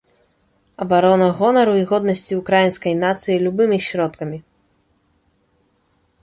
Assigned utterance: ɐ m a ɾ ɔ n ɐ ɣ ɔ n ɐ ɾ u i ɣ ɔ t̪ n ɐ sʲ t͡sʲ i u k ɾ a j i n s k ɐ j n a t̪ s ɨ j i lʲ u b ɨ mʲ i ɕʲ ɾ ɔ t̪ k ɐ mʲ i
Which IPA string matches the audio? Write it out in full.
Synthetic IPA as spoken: ɐ b a ɾ ɔ n ɐ ɣ ɔ n ɐ ɾ u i ɣ ɔ d̪ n ɐ sʲ t͡sʲ i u k ɾ a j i n s k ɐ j n a t̪ s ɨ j i lʲ u b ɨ mʲ i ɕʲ ɾ ɔ t̪ k ɐ mʲ i